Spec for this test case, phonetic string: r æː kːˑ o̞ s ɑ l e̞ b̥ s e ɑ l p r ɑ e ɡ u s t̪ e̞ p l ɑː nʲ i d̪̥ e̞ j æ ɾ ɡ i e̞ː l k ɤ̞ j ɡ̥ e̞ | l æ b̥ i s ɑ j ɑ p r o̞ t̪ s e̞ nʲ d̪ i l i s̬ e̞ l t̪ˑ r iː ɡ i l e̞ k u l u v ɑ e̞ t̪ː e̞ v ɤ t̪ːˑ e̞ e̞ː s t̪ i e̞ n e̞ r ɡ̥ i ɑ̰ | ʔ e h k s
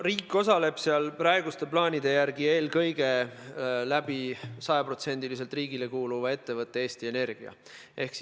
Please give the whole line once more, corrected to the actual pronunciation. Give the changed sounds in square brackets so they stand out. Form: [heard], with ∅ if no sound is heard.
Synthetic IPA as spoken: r [iː] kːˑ o̞ s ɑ l e̞ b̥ s e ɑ l p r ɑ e ɡ u s t̪ e̞ p l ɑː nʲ i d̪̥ e̞ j æ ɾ ɡ i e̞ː l k ɤ̞ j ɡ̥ e̞ | l æ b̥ i s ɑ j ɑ p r o̞ t̪ s e̞ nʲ d̪ i l i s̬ e̞ l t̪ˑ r iː ɡ i l e̞ k [uː] l u v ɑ e̞ t̪ː e̞ v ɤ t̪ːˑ e̞ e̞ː s t̪ i e̞ n e̞ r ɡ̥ i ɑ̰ | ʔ e h k s